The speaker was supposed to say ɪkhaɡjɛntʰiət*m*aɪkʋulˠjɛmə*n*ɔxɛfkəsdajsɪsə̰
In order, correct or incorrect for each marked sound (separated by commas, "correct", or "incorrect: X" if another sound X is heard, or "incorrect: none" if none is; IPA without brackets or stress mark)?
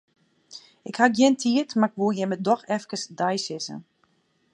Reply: correct, incorrect: d